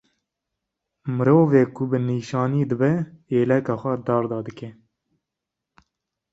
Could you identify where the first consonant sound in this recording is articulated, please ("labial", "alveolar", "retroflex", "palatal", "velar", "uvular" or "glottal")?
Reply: labial